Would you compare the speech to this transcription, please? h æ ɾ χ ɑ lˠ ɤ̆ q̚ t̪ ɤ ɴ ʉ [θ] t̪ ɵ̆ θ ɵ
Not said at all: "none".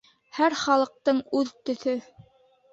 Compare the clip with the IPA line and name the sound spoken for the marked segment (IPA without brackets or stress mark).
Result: ð